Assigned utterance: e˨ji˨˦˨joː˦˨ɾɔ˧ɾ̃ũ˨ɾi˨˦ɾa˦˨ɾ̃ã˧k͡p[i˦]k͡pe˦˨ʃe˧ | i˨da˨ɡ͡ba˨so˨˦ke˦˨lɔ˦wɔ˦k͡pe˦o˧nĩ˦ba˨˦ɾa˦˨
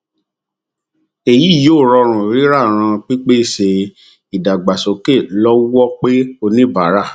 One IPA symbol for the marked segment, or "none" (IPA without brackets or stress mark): i˦